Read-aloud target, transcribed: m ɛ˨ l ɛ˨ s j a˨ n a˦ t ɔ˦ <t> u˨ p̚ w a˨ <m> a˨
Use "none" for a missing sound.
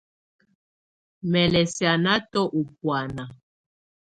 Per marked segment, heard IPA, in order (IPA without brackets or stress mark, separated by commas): ʔ, n